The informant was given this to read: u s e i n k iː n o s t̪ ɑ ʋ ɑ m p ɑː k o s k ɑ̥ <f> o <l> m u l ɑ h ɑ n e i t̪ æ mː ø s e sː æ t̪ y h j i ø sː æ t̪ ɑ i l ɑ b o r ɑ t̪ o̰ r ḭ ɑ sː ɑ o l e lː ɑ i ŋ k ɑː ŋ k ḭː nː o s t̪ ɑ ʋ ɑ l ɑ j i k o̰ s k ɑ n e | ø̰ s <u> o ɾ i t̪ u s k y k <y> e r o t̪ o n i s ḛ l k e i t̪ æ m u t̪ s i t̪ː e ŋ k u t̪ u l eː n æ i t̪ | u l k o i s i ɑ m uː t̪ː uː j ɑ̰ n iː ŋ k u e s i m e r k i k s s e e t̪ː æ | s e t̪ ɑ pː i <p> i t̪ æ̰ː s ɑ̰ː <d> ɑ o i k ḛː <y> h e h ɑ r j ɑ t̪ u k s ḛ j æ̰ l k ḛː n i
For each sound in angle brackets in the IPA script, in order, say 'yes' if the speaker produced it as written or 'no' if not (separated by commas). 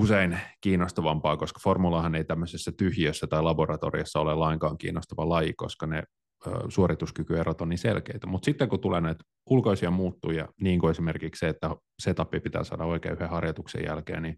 yes, no, yes, yes, yes, yes, yes